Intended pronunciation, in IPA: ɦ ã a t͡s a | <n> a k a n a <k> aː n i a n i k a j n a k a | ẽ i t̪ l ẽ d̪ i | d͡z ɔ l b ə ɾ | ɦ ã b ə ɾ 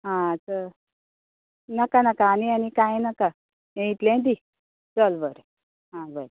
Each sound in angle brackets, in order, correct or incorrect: correct, correct

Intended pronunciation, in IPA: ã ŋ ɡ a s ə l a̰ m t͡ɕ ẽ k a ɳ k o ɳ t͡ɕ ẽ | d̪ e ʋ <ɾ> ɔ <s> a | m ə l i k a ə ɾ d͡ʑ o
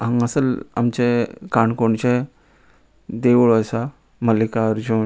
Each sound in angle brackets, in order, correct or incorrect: incorrect: ɭ, correct

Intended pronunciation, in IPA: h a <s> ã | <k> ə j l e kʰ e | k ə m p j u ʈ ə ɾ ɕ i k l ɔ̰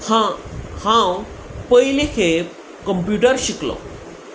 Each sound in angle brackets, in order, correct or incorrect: incorrect: h, incorrect: p

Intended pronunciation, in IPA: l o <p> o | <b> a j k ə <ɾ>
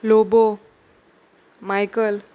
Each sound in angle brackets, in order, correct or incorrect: incorrect: b, incorrect: m, incorrect: l

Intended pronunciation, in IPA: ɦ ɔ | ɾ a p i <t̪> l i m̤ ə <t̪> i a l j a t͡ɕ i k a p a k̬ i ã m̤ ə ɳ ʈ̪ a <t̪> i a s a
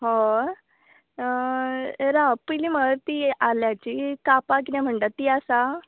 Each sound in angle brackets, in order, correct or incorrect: incorrect: none, correct, correct

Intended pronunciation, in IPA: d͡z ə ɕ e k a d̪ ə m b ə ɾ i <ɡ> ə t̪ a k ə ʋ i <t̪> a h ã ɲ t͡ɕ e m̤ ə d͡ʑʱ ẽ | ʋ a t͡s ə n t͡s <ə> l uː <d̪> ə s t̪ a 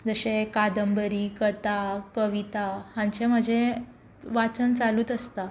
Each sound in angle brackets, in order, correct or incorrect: incorrect: k, correct, incorrect: a, incorrect: t̪

